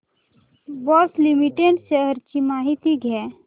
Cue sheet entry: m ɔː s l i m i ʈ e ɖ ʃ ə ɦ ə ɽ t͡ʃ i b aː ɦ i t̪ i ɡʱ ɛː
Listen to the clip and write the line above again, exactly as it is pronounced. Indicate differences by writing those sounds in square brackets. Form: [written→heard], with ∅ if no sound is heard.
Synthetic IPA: [m→b] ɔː s l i m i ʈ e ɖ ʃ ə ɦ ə [ɽ→ɾ] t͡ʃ i [b→m] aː ɦ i t̪ i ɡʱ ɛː